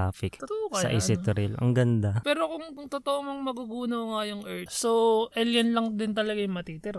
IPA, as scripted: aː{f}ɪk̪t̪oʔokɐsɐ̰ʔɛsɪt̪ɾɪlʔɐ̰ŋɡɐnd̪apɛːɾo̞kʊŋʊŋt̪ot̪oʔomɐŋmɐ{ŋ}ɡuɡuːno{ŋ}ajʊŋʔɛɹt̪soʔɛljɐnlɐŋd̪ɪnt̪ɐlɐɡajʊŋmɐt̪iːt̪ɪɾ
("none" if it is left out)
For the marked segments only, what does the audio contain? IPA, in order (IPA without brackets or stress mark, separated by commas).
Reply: f, none, ŋ